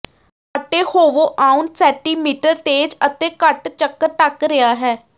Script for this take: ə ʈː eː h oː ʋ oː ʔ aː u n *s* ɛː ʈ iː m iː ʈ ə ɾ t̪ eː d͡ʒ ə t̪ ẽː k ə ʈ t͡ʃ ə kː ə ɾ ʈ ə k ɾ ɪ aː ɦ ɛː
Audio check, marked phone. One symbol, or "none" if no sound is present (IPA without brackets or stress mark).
s